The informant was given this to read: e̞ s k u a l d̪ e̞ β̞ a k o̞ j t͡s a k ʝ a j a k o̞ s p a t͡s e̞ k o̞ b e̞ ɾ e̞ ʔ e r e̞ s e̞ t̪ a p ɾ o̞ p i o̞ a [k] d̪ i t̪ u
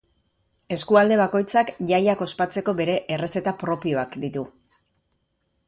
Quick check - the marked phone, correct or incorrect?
correct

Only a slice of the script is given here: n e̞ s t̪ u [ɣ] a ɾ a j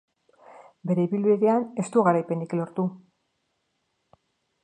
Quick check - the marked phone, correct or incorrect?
correct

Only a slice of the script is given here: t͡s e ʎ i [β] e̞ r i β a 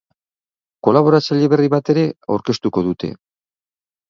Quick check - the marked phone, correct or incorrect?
correct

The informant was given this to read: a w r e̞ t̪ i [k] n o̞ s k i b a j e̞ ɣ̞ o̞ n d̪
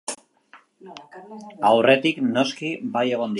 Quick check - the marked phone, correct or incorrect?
correct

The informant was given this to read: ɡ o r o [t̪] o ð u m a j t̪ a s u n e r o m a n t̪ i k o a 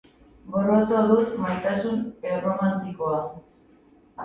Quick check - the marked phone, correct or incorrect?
correct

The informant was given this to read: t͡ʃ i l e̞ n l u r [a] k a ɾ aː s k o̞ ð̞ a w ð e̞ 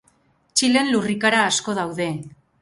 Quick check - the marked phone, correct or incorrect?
incorrect: i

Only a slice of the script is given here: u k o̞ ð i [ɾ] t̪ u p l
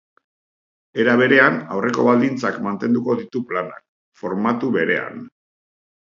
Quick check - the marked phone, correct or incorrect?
incorrect: none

